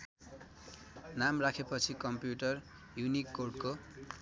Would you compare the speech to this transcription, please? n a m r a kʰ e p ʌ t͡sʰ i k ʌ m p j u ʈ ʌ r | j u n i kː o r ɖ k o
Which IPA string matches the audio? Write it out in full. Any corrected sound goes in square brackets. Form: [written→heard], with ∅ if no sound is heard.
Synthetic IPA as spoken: n a m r a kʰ e p ʌ t͡sʰ i k ʌ m p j u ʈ ʌ r | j u n i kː o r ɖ k o